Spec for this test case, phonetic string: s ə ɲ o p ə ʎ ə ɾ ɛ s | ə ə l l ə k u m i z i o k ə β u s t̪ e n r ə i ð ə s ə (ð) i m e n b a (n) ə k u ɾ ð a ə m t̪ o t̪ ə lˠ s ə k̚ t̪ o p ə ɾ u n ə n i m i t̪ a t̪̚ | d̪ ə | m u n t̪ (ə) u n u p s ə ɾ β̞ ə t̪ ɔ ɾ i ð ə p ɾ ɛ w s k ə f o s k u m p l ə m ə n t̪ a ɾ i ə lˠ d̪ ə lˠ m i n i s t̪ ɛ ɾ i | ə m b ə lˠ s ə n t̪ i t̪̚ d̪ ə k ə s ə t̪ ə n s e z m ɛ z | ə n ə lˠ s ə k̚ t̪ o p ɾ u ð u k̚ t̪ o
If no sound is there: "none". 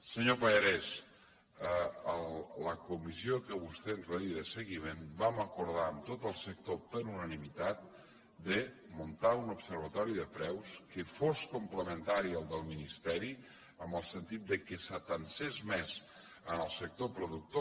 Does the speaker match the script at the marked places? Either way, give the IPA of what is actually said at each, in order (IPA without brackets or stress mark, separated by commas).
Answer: ɣ, m, a